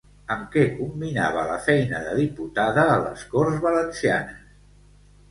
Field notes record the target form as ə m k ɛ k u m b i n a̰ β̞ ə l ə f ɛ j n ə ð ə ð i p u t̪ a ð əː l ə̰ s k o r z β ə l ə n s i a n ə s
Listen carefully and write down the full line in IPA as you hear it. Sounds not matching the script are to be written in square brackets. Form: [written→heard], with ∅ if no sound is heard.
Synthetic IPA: ə m k ɛ k u m b i n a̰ β̞ ə l ə f ɛ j n ə ð ə ð i p u t̪ a ð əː l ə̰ s k o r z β ə l ə n s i a n ə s